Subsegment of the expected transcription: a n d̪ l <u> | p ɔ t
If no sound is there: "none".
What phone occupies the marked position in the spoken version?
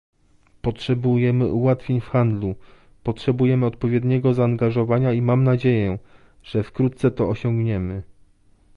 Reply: u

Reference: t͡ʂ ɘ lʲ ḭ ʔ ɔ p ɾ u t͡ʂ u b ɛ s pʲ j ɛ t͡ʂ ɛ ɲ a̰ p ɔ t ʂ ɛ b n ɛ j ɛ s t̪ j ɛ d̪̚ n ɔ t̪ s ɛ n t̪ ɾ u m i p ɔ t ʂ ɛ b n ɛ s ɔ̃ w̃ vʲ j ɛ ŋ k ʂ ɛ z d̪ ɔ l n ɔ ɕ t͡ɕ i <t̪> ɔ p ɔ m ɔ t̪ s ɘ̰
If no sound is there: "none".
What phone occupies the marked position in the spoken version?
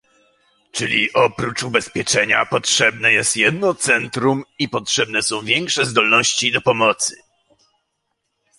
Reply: d̪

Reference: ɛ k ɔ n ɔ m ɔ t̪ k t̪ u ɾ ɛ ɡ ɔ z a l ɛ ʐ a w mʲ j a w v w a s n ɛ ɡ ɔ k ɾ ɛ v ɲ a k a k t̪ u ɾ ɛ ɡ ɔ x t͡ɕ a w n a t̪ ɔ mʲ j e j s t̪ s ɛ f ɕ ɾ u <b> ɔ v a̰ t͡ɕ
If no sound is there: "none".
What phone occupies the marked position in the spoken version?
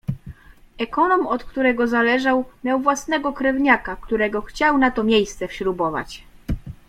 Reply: b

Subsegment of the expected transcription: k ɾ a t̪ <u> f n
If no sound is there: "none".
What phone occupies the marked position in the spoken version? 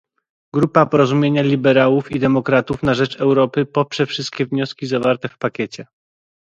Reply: u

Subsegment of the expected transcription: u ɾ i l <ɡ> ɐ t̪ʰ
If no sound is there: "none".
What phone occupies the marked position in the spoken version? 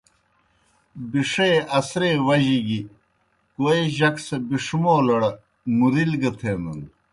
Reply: ɡ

